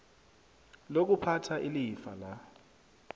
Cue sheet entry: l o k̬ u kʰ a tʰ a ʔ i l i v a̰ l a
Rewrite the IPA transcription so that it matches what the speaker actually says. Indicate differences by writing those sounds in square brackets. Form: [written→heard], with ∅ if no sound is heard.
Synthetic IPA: l o k̬ u [kʰ→pʰ] a tʰ a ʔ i l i [v→f] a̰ l a